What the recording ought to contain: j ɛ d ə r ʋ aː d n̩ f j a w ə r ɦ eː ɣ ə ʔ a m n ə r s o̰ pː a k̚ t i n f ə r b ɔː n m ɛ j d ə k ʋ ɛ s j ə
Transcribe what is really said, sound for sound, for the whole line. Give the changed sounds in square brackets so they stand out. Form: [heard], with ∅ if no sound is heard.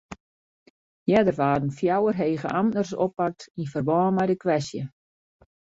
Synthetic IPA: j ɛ d ə r ʋ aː d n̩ f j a w ə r ɦ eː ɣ ə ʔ a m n ə r s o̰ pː a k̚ t i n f ə r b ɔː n m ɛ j d ə k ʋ ɛ s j ə